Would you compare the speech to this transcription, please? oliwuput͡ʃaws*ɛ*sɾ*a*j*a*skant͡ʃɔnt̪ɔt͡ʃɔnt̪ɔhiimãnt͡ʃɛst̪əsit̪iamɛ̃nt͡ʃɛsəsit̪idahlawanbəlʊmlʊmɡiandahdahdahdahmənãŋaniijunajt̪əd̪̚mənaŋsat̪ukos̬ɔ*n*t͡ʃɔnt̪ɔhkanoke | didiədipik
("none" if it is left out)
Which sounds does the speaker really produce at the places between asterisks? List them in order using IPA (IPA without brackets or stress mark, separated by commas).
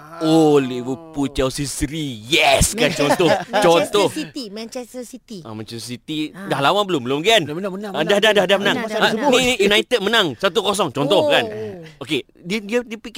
i, i, ɛ, ŋ